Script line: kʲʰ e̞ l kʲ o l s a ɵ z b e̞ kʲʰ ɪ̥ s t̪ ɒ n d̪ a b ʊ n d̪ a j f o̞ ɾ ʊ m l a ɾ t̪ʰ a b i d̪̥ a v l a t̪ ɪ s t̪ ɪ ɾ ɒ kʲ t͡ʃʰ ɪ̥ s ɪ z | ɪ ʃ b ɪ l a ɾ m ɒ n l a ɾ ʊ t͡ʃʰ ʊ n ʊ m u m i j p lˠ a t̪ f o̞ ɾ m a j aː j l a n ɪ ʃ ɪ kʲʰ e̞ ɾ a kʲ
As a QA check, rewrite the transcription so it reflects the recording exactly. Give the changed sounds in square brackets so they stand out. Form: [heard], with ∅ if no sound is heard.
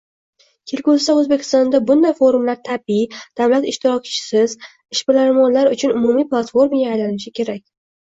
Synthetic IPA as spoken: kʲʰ e̞ l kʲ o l s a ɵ z b e̞ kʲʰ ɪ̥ s t̪ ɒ n d̪ a b ʊ n d̪ a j f o̞ ɾ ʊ m l a ɾ t̪ʰ a b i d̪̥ a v l a t̪ ɪ [ʃ] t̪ ɪ ɾ ɒ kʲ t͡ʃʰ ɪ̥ s ɪ z | ɪ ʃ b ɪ l a ɾ m ɒ n l a ɾ ʊ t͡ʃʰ ʊ n ʊ m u m i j p lˠ a t̪ f o̞ ɾ m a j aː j l a n ɪ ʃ ɪ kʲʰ e̞ ɾ a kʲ